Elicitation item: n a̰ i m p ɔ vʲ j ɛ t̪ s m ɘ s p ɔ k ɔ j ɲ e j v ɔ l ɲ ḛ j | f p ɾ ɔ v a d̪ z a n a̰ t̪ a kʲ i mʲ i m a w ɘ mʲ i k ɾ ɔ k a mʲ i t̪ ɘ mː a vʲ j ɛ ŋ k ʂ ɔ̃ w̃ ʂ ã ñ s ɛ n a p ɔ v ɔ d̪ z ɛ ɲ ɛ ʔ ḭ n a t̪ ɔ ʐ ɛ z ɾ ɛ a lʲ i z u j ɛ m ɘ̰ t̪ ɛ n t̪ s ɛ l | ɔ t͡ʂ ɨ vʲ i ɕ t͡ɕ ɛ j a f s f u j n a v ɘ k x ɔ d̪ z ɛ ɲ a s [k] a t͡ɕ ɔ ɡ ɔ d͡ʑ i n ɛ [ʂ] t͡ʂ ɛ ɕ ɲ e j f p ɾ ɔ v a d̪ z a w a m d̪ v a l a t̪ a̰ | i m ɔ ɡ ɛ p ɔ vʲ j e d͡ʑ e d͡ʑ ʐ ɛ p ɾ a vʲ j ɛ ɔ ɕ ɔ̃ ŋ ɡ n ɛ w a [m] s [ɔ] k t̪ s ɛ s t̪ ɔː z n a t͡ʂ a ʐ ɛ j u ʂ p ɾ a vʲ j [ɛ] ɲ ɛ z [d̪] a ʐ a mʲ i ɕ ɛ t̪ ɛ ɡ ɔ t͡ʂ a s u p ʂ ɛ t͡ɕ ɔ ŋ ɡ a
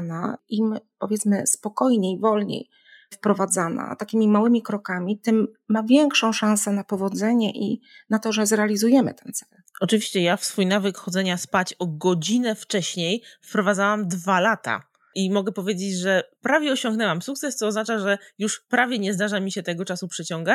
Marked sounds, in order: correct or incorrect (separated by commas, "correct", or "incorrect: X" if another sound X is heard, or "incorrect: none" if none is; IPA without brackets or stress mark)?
incorrect: p, incorrect: f, correct, incorrect: u, correct, correct